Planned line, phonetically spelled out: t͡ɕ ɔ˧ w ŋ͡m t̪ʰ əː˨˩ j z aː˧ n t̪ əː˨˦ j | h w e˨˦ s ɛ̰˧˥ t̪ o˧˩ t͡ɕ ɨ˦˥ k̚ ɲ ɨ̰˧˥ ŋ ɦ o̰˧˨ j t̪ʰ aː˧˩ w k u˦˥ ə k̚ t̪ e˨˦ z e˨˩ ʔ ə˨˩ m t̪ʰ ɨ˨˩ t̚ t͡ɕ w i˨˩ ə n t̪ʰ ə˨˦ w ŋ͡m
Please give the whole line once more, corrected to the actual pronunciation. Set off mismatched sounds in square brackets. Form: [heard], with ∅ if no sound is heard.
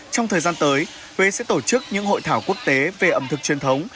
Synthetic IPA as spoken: t͡ɕ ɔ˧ w ŋ͡m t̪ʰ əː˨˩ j z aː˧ n t̪ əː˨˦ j | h w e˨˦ s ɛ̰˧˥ t̪ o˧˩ t͡ɕ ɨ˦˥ k̚ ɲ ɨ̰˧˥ ŋ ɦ o̰˧˨ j t̪ʰ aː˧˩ w k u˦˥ ə k̚ t̪ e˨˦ [v] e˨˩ ʔ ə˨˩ m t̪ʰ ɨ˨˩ [k̚] t͡ɕ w i˨˩ ə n t̪ʰ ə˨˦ w ŋ͡m